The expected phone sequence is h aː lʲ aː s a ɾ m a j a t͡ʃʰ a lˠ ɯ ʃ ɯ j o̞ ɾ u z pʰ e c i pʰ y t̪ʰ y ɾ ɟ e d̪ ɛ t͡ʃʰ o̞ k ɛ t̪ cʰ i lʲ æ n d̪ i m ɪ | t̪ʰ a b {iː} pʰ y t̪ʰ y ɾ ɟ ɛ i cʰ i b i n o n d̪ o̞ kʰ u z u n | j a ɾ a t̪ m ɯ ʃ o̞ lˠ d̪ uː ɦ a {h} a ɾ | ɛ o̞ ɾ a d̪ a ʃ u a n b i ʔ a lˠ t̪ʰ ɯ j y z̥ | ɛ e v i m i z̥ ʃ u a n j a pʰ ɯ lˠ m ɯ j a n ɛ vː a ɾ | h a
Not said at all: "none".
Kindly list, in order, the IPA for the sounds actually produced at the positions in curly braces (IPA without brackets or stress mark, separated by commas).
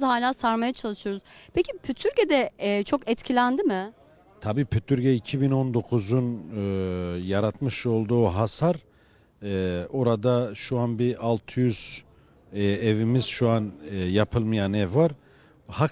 iː, s